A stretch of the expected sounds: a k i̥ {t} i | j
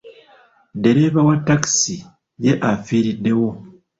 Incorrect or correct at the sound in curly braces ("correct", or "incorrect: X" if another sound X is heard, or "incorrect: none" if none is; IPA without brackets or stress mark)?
incorrect: s